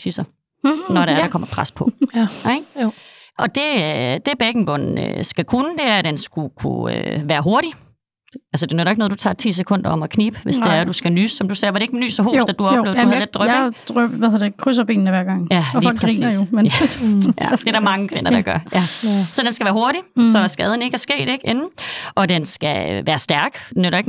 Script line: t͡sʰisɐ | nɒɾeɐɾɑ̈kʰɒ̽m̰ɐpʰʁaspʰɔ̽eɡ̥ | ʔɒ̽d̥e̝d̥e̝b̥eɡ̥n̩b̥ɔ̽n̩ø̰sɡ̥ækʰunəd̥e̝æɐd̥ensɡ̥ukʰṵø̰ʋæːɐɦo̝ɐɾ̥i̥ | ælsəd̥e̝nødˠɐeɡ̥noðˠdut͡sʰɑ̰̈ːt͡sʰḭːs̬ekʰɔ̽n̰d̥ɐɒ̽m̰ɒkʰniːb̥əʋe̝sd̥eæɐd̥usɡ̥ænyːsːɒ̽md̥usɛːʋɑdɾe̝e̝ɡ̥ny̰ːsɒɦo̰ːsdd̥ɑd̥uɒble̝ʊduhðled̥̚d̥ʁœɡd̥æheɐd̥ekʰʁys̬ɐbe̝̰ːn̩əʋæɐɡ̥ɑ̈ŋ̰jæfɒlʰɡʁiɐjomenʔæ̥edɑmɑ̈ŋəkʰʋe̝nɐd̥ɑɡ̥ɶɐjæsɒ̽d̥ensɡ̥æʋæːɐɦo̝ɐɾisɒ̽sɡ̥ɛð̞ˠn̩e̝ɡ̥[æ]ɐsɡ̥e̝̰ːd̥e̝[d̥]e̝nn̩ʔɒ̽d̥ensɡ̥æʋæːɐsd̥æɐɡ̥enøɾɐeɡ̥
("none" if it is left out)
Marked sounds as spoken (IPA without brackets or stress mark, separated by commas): æ, ɡ̥